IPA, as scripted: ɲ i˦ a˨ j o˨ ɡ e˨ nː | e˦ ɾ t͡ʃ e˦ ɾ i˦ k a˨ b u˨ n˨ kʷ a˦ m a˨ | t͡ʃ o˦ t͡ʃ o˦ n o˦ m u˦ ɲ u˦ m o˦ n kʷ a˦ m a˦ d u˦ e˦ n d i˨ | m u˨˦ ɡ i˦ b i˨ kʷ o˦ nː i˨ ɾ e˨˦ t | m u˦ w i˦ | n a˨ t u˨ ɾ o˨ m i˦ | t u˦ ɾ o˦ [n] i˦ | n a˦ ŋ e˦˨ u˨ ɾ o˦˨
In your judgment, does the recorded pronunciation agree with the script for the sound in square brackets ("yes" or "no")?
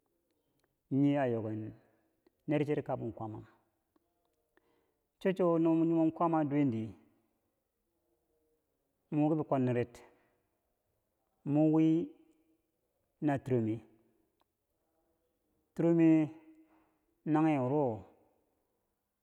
no